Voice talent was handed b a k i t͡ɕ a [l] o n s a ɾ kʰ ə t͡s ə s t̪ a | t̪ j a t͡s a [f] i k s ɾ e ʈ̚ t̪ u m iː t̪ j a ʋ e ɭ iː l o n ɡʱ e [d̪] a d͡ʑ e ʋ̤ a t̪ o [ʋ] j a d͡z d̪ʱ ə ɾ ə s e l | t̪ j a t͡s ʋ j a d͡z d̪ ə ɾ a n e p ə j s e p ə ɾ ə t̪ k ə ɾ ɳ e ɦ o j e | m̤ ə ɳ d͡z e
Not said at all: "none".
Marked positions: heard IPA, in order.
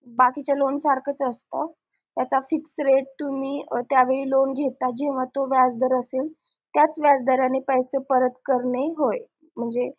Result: l, f, t̪, ʋ

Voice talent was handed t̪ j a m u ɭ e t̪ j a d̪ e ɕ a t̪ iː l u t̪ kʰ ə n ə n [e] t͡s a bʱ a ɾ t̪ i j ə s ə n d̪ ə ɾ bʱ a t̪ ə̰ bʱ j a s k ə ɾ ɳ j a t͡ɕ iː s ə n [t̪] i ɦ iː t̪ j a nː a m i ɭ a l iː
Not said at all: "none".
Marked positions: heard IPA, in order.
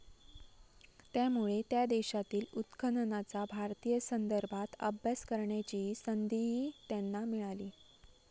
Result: a, d̪

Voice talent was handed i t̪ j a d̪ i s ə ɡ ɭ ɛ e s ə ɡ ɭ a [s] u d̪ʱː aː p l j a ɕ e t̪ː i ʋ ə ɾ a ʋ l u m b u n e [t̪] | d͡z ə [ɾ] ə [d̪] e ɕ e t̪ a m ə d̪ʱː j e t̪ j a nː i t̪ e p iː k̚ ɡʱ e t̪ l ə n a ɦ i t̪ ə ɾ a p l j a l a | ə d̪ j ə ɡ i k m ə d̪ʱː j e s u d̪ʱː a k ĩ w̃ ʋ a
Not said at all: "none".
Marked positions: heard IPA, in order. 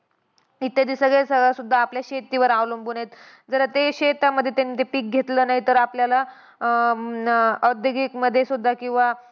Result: s, t̪, ɾ, t̪

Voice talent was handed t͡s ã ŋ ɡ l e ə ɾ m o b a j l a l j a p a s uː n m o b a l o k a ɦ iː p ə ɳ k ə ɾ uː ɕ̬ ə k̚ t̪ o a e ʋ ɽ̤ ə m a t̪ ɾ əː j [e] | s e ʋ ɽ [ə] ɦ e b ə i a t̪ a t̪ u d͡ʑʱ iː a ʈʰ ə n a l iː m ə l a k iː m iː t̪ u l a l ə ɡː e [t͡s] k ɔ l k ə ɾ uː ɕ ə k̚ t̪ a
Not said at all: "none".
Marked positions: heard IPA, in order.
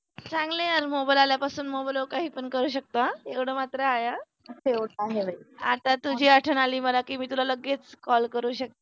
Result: a, a, t͡s

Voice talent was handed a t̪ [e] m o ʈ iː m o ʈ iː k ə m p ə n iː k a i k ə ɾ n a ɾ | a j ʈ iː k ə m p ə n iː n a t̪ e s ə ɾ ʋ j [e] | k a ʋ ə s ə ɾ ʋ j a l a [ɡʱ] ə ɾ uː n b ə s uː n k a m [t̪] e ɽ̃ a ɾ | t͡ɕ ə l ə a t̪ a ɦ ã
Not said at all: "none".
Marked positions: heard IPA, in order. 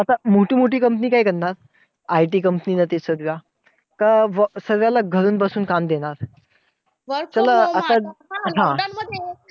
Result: a, a, ɡʱ, d̪

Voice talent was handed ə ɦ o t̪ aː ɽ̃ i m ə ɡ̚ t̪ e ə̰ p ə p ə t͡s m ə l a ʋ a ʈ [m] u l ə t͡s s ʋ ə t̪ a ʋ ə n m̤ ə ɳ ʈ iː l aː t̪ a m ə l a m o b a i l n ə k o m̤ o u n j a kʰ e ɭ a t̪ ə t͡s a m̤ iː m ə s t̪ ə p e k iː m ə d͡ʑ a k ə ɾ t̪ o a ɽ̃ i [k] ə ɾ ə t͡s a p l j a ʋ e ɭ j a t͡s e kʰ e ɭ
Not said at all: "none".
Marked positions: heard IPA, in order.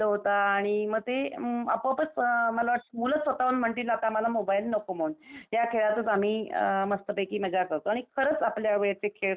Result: m, kʰ

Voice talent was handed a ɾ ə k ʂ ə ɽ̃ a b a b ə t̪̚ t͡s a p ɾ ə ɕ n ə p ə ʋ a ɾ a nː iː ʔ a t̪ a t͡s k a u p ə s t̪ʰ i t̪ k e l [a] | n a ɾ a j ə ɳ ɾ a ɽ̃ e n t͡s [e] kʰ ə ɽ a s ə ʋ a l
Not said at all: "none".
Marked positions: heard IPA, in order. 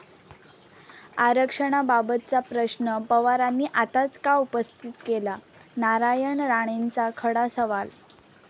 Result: a, a

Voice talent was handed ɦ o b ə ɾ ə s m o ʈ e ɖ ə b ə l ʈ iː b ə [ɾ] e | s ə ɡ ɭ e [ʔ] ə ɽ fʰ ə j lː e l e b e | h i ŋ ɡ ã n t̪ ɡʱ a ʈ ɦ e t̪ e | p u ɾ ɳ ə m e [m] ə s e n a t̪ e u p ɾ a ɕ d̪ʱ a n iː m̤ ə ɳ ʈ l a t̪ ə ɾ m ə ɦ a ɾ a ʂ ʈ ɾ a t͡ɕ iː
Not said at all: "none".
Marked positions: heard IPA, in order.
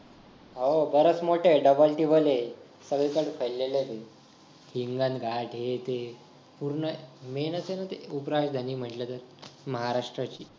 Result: l, k, n

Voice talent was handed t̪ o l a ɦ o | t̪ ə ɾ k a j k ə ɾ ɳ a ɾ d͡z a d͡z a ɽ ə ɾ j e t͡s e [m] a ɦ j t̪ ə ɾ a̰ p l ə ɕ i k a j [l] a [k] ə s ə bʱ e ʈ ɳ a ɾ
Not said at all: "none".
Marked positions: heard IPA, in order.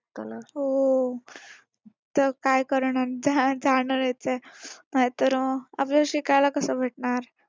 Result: n, l, k

